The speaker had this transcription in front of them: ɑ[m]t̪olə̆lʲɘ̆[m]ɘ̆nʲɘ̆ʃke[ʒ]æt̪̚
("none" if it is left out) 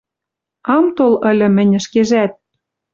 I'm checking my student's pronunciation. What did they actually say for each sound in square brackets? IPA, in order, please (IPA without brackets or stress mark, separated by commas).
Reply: m, m, ʒ